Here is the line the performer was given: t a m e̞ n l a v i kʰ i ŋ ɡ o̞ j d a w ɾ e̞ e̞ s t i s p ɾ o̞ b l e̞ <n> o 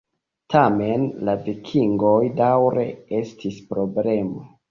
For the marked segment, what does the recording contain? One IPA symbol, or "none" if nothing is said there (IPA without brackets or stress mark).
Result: m